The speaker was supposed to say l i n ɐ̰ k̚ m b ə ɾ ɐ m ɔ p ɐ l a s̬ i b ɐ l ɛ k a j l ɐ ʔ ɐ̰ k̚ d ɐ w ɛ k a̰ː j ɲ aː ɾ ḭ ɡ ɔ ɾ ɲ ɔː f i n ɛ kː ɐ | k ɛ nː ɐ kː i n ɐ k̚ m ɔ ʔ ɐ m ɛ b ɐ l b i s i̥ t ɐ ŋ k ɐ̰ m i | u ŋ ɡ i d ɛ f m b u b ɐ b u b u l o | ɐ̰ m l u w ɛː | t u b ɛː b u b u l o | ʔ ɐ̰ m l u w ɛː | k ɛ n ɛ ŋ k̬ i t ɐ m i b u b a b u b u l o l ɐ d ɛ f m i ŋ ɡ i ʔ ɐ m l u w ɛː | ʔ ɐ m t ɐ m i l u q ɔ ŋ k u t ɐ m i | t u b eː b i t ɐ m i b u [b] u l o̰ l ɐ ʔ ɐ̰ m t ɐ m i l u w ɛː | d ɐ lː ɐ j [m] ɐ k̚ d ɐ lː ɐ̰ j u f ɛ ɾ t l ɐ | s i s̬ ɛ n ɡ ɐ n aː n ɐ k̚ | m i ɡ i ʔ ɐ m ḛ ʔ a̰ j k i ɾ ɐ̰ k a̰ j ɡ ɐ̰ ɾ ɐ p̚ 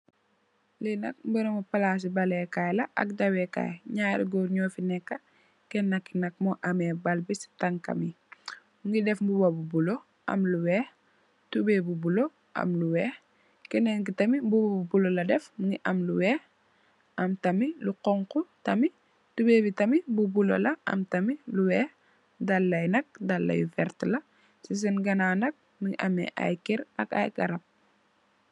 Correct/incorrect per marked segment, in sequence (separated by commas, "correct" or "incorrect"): correct, incorrect